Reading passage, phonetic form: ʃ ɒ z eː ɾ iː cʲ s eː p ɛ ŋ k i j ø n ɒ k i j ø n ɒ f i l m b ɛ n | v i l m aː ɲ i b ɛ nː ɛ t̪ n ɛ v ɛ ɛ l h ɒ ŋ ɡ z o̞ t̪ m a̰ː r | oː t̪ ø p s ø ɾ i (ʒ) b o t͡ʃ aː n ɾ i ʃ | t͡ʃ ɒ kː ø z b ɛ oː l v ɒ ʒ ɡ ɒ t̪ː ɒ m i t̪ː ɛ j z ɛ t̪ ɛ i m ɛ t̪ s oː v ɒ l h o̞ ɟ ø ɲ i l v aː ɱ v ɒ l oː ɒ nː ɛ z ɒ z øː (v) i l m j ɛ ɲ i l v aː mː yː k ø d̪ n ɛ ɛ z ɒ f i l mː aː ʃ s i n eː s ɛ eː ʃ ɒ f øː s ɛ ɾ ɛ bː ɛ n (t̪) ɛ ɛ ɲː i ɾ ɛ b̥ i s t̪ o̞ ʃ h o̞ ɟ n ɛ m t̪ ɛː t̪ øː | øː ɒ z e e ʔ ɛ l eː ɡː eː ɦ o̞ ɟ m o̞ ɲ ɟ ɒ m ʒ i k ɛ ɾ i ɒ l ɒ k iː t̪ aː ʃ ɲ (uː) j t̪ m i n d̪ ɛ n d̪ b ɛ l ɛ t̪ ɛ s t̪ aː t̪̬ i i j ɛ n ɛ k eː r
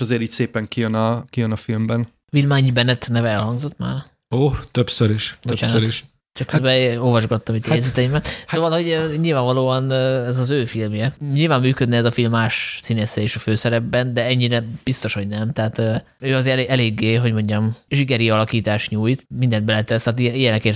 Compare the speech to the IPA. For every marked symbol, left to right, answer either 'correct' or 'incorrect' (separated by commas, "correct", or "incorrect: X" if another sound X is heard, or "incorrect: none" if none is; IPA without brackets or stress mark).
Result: incorrect: ʃ, incorrect: f, incorrect: d̪, correct